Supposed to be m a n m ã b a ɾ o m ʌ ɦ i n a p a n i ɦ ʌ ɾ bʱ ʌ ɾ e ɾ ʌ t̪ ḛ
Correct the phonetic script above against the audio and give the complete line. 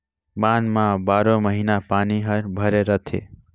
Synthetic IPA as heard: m a n m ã b a ɾ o m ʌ ɦ i n a p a n i ɦ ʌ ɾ bʱ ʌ ɾ e ɾ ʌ t̪ʰ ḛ